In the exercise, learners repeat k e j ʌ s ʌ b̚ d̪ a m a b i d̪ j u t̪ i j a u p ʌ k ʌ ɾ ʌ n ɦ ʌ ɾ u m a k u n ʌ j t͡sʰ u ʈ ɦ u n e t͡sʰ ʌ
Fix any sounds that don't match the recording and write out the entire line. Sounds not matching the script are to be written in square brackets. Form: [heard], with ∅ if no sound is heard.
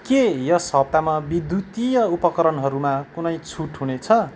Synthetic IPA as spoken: k e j ʌ s ʌ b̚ [t̪] a m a b i d̪ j u t̪ i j [ʌ] u p ʌ k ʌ ɾ ʌ n ɦ ʌ ɾ u m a k u n ʌ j t͡sʰ u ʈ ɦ u n e t͡sʰ ʌ